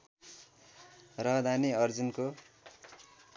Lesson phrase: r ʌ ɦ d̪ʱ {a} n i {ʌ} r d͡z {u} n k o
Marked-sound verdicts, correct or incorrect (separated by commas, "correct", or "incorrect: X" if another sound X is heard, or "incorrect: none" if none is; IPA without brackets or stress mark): correct, correct, correct